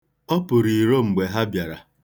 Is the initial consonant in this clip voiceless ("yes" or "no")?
yes